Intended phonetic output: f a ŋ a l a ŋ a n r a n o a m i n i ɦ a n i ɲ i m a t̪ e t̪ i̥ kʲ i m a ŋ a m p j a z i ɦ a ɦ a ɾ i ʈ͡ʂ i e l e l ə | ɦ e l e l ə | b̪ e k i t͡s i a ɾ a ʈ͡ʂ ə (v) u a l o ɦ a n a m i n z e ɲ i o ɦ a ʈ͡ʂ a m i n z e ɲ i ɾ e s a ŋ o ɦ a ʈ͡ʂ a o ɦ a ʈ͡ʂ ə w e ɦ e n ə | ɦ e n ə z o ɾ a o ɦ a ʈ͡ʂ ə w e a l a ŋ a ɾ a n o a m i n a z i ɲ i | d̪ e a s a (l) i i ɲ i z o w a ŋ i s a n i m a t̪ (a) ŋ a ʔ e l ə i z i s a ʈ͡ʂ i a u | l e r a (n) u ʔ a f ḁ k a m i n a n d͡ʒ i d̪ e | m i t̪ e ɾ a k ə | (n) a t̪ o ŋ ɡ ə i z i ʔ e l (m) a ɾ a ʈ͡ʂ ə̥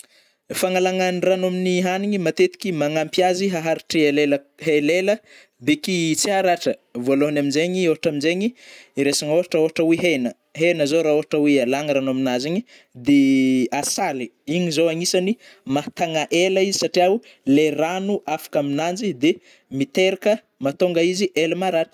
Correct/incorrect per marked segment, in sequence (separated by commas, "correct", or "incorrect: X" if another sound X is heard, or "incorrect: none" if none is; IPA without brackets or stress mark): correct, correct, correct, correct, incorrect: m, correct